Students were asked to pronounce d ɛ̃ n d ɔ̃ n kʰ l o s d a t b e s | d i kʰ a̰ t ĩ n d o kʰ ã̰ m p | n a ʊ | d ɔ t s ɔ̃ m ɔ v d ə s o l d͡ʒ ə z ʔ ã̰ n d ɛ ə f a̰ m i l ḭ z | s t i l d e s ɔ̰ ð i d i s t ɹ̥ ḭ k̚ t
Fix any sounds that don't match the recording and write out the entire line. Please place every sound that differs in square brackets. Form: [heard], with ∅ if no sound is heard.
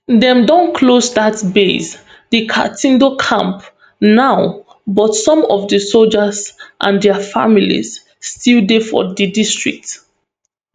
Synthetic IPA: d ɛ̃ [m] d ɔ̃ n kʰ l o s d a t b e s | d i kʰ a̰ t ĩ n d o kʰ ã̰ m p | n a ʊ | [b] ɔ t s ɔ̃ m ɔ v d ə s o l d͡ʒ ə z ʔ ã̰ n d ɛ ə f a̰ m i l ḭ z | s t i l d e [f] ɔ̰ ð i d i s t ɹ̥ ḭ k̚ t